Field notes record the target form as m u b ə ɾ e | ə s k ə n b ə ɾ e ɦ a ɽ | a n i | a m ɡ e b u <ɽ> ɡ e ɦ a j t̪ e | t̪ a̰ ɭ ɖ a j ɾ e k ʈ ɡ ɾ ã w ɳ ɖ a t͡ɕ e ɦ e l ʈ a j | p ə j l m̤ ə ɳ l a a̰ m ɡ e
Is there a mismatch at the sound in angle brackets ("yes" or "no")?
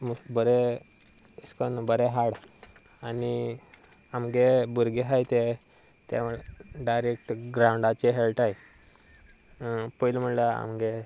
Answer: yes